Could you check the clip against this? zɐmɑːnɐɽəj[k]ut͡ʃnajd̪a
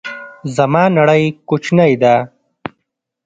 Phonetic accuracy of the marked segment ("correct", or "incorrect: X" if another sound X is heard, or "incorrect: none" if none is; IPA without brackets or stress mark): correct